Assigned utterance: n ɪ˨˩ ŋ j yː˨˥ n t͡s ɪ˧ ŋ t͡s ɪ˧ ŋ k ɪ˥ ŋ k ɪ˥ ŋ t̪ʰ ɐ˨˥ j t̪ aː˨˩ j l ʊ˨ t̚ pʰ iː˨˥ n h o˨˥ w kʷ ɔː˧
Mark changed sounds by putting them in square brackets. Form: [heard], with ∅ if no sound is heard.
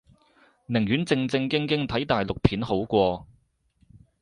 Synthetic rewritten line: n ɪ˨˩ ŋ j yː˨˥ n t͡s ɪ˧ ŋ t͡s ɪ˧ ŋ k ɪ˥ ŋ k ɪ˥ ŋ t̪ʰ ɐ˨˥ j t̪ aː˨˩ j l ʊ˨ [k̚] pʰ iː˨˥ n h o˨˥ w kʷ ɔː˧